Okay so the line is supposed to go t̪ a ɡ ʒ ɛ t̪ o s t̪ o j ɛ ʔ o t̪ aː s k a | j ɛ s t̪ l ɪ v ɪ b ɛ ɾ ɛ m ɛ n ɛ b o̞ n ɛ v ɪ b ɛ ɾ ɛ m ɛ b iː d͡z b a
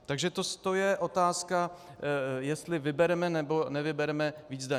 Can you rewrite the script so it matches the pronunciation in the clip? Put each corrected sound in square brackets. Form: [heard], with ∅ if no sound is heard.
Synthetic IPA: t̪ a ɡ ʒ ɛ t̪ o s t̪ o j ɛ ʔ o t̪ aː s k a | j ɛ s t̪ l ɪ v ɪ b ɛ ɾ ɛ m ɛ n ɛ b o̞ n ɛ v ɪ b ɛ ɾ ɛ m ɛ [v] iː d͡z [d] a

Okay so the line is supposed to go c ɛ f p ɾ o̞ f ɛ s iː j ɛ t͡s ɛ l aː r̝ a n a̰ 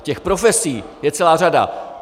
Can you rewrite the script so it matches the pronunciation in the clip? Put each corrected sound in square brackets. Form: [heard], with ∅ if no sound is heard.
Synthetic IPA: c ɛ [x] p ɾ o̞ f ɛ s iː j ɛ t͡s ɛ l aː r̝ a [d] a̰

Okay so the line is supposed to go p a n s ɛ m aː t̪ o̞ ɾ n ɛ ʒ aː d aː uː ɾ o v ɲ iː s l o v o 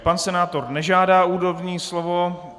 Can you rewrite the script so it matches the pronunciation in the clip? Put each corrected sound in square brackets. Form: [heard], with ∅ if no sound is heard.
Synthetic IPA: p a n s ɛ [n] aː t̪ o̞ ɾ n ɛ ʒ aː d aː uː ɾ o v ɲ iː s l o v o

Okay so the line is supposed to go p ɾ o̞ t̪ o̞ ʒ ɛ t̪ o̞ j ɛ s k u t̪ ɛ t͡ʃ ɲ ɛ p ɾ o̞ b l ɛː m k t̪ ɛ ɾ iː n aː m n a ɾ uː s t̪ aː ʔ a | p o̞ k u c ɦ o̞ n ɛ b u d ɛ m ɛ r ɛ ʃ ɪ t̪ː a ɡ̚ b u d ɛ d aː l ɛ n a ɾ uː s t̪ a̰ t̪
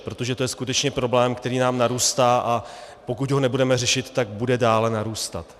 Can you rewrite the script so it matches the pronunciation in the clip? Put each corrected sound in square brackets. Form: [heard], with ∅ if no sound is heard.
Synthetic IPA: p ɾ o̞ t̪ o̞ ʒ ɛ t̪ o̞ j ɛ s k u t̪ ɛ t͡ʃ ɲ ɛ p ɾ o̞ b l ɛː m k t̪ ɛ ɾ iː n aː m n a ɾ uː s t̪ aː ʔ a | p o̞ k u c ɦ o̞ n ɛ b u d ɛ m ɛ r ɛ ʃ ɪ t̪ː a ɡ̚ b u d ɛ d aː l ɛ n a ɾ uː s t̪ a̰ t̪

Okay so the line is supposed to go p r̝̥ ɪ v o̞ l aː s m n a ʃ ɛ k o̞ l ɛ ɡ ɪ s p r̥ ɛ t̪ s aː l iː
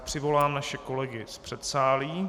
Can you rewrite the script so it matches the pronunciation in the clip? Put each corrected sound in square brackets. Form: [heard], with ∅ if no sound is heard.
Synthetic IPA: p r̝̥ ɪ v o̞ l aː [∅] m n a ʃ ɛ k o̞ l ɛ ɡ ɪ s p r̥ ɛ t̪ s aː l iː

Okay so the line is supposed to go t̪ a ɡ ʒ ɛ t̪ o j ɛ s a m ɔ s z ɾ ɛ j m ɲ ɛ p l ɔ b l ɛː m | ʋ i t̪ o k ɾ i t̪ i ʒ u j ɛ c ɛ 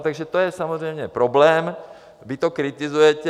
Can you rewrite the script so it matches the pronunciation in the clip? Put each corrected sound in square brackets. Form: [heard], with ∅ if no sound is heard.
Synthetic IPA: t̪ a ɡ ʒ ɛ t̪ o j ɛ s a m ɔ [∅] z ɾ ɛ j m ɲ ɛ p [ɾ] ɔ b l ɛː m | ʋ i t̪ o k ɾ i t̪ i [z] u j ɛ c ɛ

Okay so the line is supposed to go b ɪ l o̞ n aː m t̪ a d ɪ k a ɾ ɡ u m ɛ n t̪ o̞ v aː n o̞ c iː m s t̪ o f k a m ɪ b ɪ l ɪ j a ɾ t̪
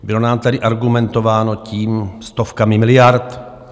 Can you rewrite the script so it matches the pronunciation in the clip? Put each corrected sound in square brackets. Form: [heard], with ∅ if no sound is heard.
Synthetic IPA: b ɪ l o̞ n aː m t̪ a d ɪ [ʔ] a ɾ ɡ u m ɛ n t̪ o̞ v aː n o̞ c iː m s t̪ o f k a m ɪ [m] ɪ l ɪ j a ɾ t̪

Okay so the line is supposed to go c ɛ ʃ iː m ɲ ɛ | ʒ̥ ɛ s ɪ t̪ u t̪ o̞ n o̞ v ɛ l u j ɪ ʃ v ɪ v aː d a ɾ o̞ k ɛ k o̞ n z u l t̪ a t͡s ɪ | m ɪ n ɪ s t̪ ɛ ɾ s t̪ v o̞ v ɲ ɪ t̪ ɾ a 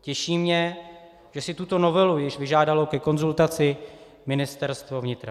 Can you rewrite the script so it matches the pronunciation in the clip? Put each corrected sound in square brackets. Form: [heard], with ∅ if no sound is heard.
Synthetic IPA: c ɛ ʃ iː m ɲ ɛ | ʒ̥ ɛ s ɪ t̪ u t̪ o̞ n o̞ v ɛ l u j ɪ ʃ v ɪ [ʒ] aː d a [l] o̞ k ɛ k o̞ n z u l t̪ a t͡s ɪ | m ɪ n ɪ s t̪ ɛ ɾ s t̪ v o̞ v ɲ ɪ t̪ ɾ a

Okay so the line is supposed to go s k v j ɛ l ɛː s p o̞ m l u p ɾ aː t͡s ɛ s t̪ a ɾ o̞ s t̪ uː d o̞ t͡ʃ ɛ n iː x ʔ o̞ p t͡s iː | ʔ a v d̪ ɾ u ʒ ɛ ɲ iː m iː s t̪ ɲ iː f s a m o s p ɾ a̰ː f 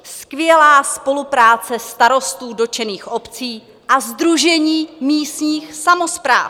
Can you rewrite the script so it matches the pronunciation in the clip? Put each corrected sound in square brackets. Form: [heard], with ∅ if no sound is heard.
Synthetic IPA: s k v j ɛ l [aː] s p o̞ [∅] l u p ɾ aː t͡s ɛ s t̪ a ɾ o̞ s t̪ uː d o̞ t͡ʃ ɛ n iː x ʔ o̞ p t͡s iː | ʔ a [z] d̪ ɾ u ʒ ɛ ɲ iː m iː s t̪ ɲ iː [x] s a m o s p ɾ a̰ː f

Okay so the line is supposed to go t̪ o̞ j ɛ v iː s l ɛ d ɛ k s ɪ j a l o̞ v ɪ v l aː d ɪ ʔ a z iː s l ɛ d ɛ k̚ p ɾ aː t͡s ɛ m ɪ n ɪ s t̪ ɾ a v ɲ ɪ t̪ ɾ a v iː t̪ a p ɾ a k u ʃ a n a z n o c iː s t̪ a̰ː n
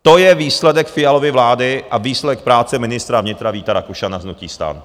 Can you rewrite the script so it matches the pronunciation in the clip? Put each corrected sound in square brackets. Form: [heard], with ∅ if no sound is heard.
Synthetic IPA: t̪ o̞ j ɛ v iː s l ɛ d ɛ k [f] ɪ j a l o̞ v ɪ v l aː d ɪ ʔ a [v] iː s l ɛ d ɛ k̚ p ɾ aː t͡s ɛ m ɪ n ɪ s t̪ ɾ a v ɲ ɪ t̪ ɾ a v iː t̪ a [∅] ɾ a k u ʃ a n a z n [u] c iː s t̪ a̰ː n

